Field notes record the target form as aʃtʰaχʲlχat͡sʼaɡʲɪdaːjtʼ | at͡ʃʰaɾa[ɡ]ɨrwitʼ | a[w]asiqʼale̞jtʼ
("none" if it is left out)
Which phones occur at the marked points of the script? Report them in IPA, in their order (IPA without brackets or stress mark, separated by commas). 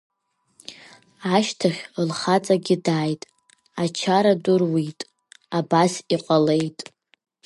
d, b